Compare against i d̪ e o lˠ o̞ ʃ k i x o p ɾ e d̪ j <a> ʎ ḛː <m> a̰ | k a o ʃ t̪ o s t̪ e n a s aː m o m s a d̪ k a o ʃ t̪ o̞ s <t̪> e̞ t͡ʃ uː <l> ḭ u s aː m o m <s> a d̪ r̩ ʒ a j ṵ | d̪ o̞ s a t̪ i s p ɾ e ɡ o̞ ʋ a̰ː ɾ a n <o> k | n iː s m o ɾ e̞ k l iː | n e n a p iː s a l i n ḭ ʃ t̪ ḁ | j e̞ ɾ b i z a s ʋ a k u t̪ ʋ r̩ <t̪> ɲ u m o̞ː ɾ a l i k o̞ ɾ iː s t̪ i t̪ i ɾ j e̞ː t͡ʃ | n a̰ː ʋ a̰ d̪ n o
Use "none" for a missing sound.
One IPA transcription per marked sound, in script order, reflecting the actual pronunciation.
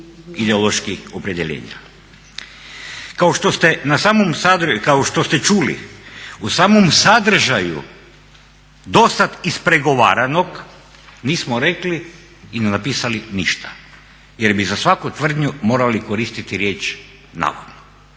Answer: e, ɲ, t̪, l, s, o, d̪

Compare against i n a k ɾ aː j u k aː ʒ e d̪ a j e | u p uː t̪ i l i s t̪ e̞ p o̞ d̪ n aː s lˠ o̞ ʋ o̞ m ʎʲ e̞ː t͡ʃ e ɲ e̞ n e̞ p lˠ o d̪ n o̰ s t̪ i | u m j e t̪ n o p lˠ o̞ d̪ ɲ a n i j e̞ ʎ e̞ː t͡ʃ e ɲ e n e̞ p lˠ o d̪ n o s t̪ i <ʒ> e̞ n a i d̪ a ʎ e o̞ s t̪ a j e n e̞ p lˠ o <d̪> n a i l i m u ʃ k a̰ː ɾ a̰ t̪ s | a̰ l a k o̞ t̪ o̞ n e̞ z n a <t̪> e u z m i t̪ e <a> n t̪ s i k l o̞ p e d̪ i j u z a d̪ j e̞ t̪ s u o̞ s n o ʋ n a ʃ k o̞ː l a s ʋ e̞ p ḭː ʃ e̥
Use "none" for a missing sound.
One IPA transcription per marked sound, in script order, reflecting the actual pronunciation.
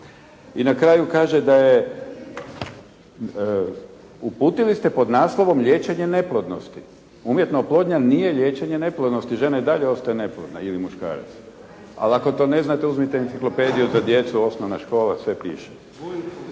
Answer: ʒ, d̪, t̪, i

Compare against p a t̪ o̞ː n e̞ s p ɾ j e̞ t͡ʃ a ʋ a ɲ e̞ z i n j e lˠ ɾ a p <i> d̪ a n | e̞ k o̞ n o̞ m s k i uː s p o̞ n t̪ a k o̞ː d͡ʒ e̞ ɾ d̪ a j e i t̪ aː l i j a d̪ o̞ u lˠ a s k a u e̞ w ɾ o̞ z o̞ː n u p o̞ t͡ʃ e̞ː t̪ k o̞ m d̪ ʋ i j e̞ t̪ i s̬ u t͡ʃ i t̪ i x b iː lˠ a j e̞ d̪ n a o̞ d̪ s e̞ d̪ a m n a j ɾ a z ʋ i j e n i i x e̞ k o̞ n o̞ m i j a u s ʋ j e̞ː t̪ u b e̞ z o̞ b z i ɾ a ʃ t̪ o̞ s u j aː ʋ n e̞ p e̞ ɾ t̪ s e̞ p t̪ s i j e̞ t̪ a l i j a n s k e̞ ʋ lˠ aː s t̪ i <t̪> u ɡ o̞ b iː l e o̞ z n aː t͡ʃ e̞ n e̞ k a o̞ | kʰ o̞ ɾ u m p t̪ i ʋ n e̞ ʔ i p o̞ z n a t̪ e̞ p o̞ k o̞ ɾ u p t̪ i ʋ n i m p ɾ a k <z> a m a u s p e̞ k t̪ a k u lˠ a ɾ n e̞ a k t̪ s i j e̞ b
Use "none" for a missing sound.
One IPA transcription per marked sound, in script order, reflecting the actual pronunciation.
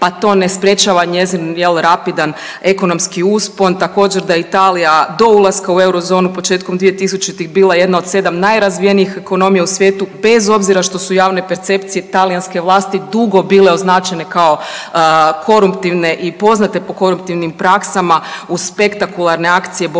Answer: i, d̪, s

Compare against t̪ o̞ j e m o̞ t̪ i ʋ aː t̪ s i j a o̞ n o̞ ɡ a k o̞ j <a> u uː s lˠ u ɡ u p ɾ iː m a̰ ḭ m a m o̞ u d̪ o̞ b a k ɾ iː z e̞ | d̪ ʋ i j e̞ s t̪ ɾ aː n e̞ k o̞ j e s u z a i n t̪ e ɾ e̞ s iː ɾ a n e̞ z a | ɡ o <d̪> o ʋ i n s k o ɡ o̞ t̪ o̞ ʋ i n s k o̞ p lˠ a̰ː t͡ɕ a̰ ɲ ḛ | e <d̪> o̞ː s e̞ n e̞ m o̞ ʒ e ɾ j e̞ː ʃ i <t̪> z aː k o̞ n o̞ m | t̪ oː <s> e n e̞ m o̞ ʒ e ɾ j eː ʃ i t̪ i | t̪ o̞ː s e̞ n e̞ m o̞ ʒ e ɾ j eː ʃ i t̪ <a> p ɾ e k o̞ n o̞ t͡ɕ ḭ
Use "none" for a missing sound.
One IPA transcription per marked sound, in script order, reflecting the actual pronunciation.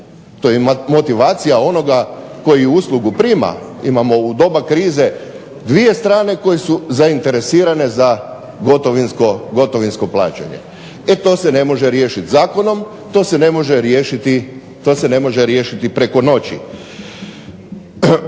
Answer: i, t̪, t̪, t̪, s, i

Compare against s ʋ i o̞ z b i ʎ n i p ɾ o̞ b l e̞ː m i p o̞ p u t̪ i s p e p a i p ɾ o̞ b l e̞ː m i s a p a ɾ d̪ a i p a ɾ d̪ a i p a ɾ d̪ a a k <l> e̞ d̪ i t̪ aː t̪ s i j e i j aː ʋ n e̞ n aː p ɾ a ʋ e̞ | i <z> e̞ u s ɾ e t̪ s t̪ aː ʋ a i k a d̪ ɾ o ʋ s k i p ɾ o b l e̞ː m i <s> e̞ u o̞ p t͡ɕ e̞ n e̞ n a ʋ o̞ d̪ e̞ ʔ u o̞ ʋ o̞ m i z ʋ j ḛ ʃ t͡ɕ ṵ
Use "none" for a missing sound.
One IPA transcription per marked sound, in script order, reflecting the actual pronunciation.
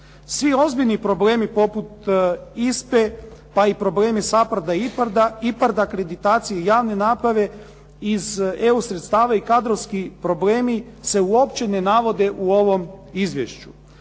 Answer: ɾ, z, s

